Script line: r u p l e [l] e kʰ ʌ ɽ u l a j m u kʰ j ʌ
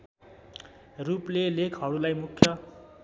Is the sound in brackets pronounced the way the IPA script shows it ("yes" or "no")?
yes